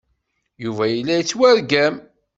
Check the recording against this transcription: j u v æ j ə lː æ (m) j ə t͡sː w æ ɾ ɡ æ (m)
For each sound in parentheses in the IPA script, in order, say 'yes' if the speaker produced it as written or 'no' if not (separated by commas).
no, yes